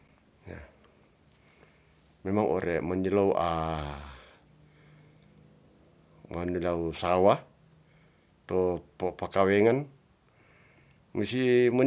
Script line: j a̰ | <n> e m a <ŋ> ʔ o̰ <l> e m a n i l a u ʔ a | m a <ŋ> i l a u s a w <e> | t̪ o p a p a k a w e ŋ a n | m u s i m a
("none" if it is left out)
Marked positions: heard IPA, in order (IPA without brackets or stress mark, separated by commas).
m, ŋ, ɾ, n, a